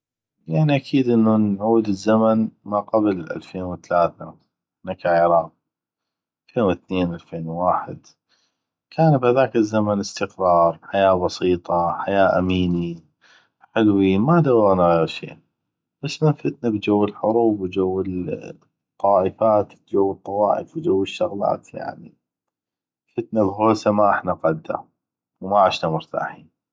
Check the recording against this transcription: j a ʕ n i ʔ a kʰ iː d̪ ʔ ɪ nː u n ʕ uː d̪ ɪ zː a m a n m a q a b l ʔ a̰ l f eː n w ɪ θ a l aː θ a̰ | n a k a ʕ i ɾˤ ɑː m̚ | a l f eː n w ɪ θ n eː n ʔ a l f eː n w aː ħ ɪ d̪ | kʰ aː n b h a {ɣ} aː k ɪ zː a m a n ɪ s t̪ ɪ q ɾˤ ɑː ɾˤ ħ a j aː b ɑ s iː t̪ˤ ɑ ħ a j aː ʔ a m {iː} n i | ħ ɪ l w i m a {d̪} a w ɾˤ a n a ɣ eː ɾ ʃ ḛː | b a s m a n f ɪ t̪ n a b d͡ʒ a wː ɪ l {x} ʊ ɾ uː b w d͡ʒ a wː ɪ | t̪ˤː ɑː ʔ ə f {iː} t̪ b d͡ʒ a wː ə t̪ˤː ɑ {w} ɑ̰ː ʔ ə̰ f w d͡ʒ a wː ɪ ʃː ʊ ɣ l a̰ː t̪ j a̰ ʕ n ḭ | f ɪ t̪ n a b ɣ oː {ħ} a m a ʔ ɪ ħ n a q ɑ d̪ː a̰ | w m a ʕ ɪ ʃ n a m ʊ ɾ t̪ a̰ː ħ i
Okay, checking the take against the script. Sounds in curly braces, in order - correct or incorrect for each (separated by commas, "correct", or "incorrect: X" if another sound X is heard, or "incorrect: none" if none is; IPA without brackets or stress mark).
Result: incorrect: ð, correct, correct, incorrect: ħ, incorrect: aː, correct, incorrect: s